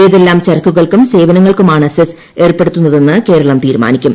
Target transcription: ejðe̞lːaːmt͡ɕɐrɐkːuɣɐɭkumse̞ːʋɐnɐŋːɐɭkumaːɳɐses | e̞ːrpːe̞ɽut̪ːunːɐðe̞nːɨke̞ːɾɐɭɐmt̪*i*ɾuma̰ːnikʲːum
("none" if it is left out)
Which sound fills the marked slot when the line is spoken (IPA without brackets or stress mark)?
iː